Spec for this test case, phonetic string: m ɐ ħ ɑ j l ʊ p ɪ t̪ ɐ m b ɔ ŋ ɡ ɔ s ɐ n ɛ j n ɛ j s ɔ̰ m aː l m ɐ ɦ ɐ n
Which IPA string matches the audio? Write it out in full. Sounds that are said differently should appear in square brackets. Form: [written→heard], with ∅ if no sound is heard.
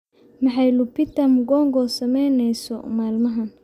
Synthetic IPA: m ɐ ħ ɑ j l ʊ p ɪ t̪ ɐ m [b→ɡ] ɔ ŋ ɡ ɔ s ɐ [n→m] ɛ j n ɛ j s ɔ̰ m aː l m ɐ ɦ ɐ n